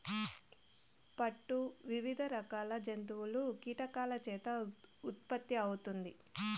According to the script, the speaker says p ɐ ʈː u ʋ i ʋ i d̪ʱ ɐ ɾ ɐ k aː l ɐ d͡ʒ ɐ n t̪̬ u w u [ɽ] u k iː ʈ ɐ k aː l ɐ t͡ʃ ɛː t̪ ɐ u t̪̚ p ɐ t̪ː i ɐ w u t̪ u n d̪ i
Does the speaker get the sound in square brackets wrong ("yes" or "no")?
yes